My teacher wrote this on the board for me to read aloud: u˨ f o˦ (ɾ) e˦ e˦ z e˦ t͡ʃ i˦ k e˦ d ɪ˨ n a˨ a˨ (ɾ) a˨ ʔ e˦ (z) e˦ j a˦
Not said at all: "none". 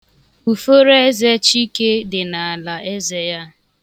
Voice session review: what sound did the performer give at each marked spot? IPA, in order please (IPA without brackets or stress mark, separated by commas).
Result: ɾ, l, z